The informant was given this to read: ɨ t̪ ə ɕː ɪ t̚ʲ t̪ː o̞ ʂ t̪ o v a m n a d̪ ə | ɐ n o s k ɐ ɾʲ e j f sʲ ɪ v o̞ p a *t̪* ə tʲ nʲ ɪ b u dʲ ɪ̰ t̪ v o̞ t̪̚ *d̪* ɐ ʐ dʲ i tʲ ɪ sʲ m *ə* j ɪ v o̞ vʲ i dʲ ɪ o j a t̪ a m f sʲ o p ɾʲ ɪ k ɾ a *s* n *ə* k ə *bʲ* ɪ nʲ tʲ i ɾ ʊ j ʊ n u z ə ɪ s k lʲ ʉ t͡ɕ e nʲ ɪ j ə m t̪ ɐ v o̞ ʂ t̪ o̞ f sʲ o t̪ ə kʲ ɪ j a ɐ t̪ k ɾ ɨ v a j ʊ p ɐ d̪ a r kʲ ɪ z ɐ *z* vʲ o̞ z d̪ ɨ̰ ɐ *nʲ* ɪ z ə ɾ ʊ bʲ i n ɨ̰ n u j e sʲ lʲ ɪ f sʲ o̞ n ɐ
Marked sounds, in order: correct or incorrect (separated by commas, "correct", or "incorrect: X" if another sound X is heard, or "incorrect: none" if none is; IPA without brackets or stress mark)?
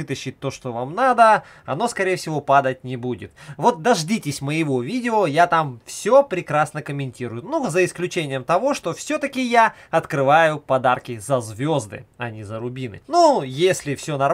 incorrect: d̪, correct, correct, correct, correct, incorrect: mʲ, correct, correct